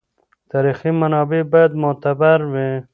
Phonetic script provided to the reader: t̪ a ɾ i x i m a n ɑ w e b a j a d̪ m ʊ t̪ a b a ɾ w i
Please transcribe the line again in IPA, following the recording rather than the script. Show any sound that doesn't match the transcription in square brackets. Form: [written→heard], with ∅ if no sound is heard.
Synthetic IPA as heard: t̪ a ɾ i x i m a n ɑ [w→b] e b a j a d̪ m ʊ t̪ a b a ɾ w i